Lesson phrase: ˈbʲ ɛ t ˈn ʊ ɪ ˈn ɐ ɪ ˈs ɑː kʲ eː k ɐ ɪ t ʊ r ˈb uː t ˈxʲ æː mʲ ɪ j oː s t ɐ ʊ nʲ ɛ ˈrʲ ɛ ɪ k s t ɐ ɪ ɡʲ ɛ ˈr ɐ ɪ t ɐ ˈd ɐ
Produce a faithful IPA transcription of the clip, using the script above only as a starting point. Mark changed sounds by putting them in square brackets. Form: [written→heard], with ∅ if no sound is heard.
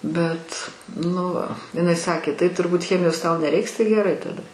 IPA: ˈbʲ ɛ t ˈn ʊ ɪ ˈn ɐ ɪ ˈs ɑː kʲ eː [k→t] ɐ ɪ t ʊ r ˈb uː t ˈxʲ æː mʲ ɪ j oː s t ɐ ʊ nʲ ɛ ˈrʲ ɛ ɪ k s t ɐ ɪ ɡʲ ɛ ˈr ɐ ɪ t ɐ ˈd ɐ